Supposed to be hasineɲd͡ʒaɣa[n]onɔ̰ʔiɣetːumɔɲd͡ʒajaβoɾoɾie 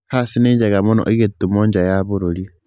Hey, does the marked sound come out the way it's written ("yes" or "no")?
no